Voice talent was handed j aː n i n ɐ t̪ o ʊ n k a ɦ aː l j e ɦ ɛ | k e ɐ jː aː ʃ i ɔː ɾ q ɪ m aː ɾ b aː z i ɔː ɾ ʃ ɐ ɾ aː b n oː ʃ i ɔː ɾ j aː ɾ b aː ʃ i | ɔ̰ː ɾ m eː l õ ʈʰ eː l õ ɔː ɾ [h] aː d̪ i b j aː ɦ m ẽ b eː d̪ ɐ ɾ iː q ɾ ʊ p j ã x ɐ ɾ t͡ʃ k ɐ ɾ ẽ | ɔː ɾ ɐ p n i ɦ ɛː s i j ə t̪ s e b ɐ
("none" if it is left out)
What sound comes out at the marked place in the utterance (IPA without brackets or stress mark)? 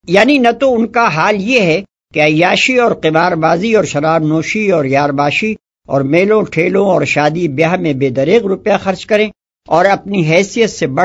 ʃ